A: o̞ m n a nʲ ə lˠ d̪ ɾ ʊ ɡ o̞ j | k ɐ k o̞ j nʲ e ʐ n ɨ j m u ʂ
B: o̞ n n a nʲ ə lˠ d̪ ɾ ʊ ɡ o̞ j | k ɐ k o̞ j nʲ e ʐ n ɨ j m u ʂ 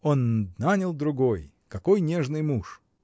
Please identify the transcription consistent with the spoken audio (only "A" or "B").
B